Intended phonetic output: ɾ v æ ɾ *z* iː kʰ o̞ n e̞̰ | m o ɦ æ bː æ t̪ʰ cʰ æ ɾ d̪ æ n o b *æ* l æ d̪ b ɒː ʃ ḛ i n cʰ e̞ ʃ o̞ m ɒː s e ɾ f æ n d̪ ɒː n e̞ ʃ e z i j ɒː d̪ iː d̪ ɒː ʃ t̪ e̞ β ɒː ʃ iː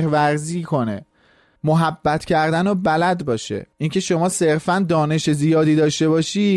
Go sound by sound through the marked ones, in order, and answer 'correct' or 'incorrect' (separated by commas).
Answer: correct, correct